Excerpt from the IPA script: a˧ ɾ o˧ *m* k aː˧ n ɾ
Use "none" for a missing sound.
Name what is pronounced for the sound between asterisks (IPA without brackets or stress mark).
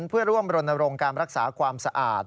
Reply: ŋ